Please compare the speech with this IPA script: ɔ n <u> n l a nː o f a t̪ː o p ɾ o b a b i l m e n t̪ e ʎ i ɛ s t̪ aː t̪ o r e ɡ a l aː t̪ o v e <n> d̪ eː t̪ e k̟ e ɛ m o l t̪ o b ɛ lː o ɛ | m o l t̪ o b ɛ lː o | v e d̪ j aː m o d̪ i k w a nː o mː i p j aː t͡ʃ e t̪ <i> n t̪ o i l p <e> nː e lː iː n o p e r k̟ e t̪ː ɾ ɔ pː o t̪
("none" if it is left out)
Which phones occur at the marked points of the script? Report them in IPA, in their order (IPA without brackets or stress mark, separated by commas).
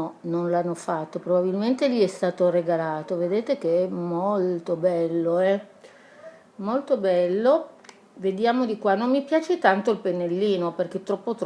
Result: o, none, a, e